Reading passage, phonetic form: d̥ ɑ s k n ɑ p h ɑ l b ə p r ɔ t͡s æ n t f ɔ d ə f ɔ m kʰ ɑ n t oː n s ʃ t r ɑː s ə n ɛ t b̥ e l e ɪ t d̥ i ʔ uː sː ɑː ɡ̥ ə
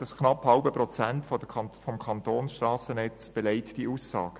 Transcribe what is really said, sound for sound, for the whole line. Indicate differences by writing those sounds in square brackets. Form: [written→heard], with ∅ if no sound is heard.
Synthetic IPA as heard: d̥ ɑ s k n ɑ p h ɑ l b ə p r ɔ t͡s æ n t f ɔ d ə f ɔ m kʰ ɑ n t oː n s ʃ t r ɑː s ə n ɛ [t→t͡s] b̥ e l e ɪ t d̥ i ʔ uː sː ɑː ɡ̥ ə

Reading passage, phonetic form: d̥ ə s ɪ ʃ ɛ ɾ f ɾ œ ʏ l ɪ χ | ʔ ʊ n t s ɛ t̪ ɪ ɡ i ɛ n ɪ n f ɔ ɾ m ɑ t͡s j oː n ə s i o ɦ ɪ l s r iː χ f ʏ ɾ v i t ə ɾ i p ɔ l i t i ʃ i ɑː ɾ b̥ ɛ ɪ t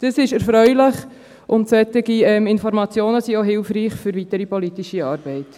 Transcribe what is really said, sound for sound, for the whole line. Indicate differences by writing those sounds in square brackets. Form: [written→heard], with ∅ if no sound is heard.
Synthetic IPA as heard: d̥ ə s ɪ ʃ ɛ ɾ f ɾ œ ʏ l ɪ χ | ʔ ʊ n t s ɛ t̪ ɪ ɡ i ɛ [n→m] ɪ n f ɔ ɾ m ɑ t͡s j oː n ə s i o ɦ ɪ l [s→f] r iː χ f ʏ ɾ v i t ə ɾ i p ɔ l i t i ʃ i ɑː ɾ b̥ ɛ ɪ t

